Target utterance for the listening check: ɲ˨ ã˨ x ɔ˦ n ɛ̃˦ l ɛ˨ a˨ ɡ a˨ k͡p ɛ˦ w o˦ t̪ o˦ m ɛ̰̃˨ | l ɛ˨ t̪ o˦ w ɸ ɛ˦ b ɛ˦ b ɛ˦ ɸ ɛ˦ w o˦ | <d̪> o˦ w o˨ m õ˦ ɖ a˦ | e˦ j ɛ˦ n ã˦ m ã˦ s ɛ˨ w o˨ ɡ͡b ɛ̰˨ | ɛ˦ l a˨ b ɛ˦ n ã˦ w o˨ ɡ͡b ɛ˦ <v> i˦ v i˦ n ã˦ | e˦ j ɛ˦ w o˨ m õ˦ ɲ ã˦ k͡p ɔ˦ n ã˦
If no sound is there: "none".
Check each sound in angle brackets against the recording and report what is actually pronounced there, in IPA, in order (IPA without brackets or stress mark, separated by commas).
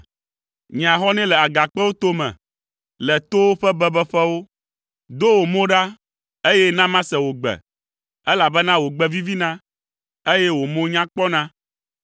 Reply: d̪, v